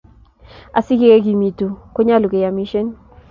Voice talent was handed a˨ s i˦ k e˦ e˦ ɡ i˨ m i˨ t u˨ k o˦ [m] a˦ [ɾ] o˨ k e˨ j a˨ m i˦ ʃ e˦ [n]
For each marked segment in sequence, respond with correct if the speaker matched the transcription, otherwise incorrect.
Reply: incorrect, incorrect, correct

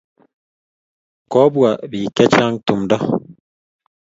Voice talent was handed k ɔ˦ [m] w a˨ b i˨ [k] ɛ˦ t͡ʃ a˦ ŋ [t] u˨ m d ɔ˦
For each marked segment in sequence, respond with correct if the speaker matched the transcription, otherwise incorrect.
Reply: incorrect, correct, correct

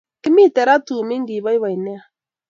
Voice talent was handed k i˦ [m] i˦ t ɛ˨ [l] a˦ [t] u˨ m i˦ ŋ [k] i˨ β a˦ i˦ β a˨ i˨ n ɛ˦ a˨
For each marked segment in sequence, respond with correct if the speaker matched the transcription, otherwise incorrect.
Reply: correct, incorrect, correct, incorrect

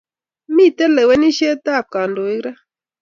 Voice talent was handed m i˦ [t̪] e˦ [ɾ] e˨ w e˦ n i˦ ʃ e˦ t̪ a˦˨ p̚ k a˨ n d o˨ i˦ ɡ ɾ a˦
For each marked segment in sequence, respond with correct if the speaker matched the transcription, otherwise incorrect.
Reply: correct, incorrect

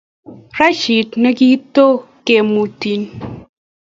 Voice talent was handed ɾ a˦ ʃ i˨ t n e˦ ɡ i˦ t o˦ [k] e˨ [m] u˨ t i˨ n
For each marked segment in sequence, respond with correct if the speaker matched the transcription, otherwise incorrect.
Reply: correct, correct

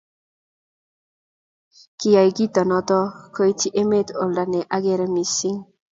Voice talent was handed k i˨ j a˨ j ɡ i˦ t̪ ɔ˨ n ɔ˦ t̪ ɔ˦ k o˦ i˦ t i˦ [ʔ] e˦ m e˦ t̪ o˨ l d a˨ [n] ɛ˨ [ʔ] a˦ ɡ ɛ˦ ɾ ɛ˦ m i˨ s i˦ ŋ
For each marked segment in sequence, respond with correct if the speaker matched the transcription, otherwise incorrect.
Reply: correct, correct, correct

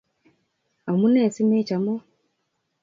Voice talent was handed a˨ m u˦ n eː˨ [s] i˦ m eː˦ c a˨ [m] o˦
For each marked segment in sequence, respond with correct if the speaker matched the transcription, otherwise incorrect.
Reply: correct, correct

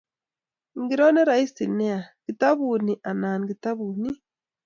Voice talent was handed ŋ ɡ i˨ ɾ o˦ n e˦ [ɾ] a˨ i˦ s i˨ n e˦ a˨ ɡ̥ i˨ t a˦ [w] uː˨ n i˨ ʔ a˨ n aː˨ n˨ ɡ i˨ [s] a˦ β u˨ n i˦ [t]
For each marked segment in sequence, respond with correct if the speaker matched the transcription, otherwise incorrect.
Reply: correct, incorrect, incorrect, incorrect

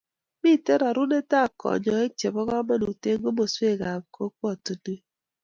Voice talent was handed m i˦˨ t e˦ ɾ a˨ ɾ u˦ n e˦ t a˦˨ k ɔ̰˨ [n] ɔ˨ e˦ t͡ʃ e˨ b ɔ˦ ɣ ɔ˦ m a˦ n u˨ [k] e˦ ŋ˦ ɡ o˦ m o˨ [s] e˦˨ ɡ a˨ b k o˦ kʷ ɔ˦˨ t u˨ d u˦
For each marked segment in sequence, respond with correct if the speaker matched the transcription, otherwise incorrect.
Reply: incorrect, incorrect, correct

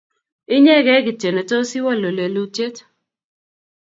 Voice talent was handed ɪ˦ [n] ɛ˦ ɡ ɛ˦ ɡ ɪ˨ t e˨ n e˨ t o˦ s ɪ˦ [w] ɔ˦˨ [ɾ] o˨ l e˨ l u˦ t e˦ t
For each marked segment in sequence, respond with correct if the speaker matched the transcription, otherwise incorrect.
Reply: incorrect, correct, incorrect

